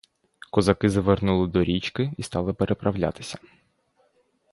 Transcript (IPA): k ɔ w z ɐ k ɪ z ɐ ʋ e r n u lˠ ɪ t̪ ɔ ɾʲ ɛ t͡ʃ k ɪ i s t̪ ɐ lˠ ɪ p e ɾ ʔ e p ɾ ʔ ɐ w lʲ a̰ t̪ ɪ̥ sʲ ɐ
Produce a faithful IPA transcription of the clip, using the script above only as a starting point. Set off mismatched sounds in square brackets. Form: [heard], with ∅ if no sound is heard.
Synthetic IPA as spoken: k ɔ [∅] z ɐ k ɪ z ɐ ʋ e r n u lˠ ɪ [d̪] ɔ ɾʲ [i] t͡ʃ k ɪ i s t̪ [ɑ] lˠ ɪ p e ɾ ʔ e p ɾ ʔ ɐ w lʲ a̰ t̪ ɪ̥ sʲ ɐ